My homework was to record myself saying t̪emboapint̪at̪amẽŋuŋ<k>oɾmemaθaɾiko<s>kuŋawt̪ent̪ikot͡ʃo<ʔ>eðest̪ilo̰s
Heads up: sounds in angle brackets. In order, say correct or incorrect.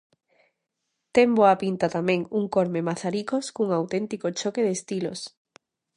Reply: correct, correct, incorrect: k

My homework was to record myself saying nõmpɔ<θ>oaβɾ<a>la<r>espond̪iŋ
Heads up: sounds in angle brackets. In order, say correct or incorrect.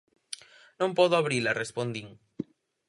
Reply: incorrect: ð, incorrect: i, correct

